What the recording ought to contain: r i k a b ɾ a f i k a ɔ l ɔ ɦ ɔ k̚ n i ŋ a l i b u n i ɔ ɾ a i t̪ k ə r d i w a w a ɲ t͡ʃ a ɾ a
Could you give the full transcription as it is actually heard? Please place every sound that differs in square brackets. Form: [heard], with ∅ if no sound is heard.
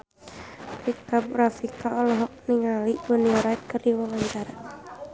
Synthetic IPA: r i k a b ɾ a f i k a ɔ l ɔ ɦ ɔ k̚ n i ŋ a l i b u n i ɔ ɾ a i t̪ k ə r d i w a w a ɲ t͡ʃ a ɾ a